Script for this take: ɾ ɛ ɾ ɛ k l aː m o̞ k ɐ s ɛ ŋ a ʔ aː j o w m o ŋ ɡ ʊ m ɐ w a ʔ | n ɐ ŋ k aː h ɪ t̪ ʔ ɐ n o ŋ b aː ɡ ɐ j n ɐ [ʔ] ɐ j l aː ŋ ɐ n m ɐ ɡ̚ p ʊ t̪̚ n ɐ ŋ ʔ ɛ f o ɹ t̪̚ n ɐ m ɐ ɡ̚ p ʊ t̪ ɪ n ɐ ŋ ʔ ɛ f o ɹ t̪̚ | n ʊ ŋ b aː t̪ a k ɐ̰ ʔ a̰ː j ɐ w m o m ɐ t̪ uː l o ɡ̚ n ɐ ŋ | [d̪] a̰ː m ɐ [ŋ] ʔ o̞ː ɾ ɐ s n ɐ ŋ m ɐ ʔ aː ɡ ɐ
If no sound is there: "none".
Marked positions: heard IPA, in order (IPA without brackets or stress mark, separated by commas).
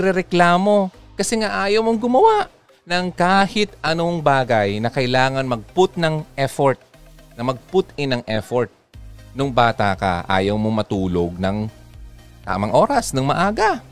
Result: k, t̪, ŋ